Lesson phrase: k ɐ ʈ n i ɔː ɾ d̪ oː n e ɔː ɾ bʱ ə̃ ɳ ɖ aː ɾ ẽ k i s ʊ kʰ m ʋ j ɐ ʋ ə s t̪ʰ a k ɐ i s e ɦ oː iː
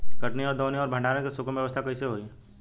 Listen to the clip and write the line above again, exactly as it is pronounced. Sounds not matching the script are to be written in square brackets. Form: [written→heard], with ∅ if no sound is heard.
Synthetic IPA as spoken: k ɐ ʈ n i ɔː ɾ d̪ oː n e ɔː ɾ bʱ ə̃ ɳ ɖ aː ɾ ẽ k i s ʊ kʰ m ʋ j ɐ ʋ ə s t̪ʰ a k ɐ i s e ɦ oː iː